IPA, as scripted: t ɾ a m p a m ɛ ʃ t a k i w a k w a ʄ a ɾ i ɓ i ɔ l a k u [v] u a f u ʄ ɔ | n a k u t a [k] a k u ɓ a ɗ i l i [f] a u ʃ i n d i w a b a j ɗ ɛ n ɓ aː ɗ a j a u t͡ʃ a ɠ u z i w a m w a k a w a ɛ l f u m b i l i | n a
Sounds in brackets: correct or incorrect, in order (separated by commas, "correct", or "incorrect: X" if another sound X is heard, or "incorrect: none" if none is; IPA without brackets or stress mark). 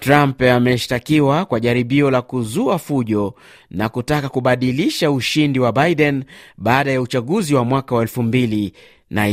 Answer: incorrect: z, correct, incorrect: ʃ